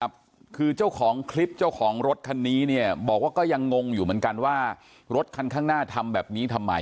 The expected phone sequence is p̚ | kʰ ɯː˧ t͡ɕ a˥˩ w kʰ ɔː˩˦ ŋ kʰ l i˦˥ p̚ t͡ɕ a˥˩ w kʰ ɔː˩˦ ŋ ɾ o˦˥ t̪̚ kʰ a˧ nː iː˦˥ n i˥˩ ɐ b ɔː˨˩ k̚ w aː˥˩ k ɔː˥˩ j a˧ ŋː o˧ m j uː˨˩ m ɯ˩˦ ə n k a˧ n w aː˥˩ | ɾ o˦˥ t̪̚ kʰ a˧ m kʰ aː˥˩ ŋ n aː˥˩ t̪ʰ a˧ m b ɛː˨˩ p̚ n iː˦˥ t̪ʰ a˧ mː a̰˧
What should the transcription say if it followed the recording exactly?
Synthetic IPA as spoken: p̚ | kʰ ɯː˧ t͡ɕ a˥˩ w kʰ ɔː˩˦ ŋ kʰ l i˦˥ p̚ t͡ɕ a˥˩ w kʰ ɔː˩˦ ŋ ɾ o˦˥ t̪̚ kʰ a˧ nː iː˦˥ n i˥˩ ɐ b ɔː˨˩ k̚ w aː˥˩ k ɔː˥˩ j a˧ ŋː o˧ ŋ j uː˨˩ m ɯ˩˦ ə n k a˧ n w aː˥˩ | ɾ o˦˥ t̪̚ kʰ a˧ n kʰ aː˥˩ ŋ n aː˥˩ t̪ʰ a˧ m b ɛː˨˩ p̚ n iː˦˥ t̪ʰ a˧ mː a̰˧